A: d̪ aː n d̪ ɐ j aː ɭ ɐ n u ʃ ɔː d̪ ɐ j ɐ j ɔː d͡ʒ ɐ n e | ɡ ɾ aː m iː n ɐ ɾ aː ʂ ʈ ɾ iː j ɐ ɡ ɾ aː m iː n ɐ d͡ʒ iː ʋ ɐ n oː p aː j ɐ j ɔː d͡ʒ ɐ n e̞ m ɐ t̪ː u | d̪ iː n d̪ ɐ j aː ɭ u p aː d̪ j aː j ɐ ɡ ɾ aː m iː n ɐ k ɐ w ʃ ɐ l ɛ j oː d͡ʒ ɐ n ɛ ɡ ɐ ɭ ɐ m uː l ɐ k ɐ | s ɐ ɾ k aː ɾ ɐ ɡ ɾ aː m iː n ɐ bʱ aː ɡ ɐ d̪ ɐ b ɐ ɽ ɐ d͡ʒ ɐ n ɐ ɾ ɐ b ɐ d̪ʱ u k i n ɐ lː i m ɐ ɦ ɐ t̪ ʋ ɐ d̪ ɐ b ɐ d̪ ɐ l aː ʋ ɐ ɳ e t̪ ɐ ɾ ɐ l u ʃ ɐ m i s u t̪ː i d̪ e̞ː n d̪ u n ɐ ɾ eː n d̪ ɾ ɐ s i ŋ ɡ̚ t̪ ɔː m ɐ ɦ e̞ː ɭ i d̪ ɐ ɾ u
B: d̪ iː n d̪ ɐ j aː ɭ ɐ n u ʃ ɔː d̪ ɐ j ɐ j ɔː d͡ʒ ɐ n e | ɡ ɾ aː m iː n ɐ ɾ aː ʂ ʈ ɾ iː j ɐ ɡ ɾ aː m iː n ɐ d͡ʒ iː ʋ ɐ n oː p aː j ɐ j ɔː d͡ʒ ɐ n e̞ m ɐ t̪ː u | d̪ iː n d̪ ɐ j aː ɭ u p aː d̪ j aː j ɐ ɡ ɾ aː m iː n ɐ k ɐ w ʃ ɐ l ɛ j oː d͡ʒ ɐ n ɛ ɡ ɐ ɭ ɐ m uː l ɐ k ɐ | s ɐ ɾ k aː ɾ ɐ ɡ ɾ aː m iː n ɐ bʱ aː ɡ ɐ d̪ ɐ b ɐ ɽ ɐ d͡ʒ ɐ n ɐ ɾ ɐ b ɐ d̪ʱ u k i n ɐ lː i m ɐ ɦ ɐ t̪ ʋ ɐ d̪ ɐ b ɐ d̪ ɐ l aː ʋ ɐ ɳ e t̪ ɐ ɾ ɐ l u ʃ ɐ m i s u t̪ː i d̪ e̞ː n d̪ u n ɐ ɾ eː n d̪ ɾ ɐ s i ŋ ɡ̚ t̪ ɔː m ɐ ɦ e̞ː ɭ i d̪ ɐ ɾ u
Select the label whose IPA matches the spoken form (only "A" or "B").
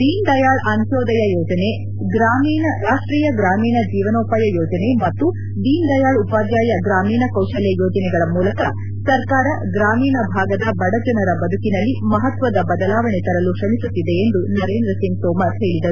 B